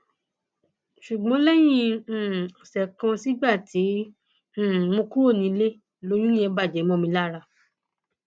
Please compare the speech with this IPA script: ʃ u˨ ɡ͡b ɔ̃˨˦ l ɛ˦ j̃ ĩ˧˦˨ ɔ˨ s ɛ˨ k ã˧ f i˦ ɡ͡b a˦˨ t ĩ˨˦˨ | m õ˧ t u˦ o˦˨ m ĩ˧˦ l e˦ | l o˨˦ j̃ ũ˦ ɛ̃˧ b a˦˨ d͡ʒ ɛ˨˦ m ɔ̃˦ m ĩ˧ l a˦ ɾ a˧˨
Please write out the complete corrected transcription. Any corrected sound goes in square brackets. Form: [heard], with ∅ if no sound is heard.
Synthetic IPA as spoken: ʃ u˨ ɡ͡b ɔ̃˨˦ l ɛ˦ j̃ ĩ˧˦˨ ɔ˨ s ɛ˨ k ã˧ [s] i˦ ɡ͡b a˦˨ t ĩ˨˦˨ | m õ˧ [k] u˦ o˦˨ [n] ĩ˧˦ l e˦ | l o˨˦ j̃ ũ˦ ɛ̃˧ b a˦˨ d͡ʒ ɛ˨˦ m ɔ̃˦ m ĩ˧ l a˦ ɾ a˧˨